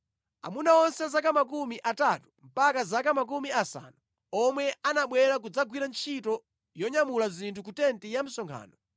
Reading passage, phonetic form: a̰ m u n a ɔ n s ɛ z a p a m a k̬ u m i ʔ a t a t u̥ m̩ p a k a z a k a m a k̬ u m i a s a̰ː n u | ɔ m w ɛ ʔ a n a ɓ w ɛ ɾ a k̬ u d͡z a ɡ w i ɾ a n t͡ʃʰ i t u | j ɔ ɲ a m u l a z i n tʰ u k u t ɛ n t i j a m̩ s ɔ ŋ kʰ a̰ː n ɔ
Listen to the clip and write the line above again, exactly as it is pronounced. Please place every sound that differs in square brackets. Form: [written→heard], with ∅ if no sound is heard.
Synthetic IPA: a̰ m u n a ɔ n s ɛ z a [p→k] a m a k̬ u m i ʔ a t a t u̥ m̩ p a k a z a k a m a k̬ u m i a s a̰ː n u | ɔ m w ɛ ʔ a n a ɓ w ɛ ɾ a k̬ u d͡z a ɡ w i ɾ a n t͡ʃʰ i t [u→ɔ] | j ɔ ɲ a m u l a z i n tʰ u k u t ɛ n t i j a m̩ s ɔ ŋ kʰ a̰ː n ɔ